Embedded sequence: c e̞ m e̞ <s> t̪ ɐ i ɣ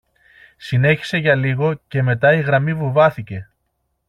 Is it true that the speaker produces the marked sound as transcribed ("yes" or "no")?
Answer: no